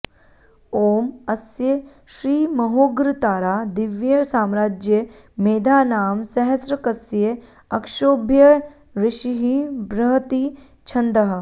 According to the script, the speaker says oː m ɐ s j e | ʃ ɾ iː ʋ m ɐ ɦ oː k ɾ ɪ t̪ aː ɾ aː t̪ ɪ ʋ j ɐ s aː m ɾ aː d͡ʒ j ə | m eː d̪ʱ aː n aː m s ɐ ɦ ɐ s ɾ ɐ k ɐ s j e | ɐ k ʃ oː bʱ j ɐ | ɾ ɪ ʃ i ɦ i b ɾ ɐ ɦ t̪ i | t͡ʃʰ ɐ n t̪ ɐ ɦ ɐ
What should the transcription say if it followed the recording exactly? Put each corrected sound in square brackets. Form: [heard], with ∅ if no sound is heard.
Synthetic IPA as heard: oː m ɐ s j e | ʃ ɾ iː [∅] m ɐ ɦ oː [ɡ] ɾ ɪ t̪ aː ɾ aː [d̪] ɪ ʋ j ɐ s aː m ɾ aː d͡ʒ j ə | m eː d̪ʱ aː n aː m s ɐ ɦ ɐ s ɾ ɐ k ɐ s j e | ɐ k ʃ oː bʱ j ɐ | ɾ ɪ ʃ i ɦ i b ɾ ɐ ɦ t̪ i | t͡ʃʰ ɐ n [d̪] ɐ ɦ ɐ